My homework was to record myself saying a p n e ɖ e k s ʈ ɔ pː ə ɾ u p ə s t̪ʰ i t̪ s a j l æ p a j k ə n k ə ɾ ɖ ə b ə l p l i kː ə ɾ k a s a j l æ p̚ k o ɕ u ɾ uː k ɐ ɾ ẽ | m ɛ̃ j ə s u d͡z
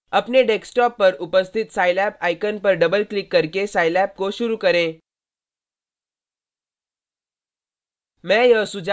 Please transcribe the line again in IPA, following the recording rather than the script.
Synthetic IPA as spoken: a p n e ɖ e k s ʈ ɔ pː ə ɾ u p ə s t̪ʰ i t̪ s a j l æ p a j k ə n p ə ɾ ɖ ə b ə l k l i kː ə ɾ k e s a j l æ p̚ k o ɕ u ɾ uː k ə ɾ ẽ | m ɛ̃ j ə s u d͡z